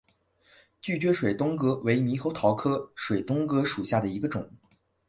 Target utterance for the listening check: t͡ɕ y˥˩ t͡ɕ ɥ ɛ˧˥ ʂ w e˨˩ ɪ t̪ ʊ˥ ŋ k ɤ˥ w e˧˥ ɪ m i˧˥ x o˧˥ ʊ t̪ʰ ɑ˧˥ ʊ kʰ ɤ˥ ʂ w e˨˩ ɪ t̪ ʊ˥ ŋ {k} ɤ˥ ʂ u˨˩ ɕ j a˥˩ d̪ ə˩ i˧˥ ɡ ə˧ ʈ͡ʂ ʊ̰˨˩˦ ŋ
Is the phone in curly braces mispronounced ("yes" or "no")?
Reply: no